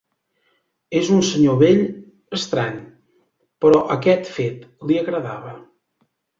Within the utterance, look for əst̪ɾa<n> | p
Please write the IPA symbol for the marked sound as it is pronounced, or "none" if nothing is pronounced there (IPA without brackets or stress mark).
ɲ